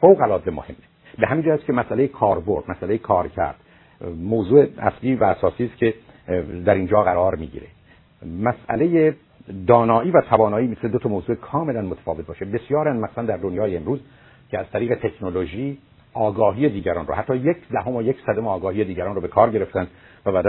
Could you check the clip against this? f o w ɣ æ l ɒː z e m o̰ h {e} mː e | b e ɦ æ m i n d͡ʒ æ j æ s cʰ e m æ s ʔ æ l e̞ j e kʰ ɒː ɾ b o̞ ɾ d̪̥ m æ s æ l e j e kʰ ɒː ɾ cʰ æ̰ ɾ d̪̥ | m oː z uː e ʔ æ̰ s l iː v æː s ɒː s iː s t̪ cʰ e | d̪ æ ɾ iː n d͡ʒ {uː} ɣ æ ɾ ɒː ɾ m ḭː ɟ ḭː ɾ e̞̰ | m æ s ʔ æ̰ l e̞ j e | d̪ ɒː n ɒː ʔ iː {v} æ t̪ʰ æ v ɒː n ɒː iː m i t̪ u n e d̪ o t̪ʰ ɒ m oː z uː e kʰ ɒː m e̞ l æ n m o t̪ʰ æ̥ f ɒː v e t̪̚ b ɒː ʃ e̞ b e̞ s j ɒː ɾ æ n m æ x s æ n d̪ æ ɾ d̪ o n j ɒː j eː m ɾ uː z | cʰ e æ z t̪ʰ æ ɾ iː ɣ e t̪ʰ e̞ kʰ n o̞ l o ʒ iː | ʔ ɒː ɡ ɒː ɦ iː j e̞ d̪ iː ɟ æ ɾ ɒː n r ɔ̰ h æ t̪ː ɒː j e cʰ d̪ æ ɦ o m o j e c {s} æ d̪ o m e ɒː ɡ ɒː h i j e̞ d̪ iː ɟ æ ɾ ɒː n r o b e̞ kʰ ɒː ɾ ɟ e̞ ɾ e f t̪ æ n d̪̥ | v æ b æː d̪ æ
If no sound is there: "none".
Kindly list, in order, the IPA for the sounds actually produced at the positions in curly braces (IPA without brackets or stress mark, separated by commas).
e, ɒː, v, s